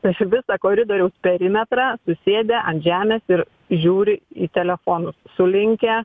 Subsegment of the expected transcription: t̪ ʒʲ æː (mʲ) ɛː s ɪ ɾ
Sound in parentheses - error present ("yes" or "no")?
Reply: no